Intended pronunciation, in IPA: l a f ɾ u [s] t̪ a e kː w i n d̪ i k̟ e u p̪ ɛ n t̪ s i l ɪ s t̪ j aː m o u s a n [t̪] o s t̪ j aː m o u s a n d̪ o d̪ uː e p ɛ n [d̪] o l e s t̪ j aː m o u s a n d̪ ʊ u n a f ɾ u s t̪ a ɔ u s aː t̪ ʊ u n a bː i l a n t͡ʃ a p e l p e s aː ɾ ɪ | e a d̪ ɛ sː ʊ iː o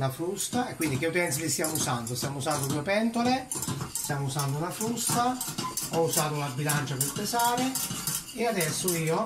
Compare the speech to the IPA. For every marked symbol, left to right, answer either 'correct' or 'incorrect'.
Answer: correct, incorrect, incorrect

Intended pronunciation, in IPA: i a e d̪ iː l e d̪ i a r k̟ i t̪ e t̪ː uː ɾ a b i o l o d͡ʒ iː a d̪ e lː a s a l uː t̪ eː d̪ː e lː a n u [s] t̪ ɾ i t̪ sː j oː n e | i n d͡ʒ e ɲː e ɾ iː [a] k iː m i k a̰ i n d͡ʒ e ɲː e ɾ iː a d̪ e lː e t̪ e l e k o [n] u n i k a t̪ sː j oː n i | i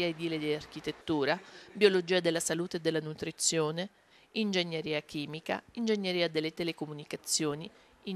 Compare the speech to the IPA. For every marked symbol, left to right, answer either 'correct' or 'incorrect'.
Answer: incorrect, correct, incorrect

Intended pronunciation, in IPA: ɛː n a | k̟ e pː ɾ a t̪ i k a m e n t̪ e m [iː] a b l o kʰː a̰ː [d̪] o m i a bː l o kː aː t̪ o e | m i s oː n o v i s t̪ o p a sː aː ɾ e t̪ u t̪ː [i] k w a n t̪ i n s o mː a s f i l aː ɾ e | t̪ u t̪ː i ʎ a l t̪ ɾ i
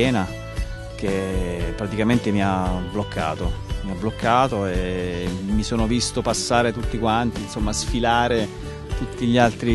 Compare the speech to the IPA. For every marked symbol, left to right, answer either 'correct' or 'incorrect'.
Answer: incorrect, incorrect, correct

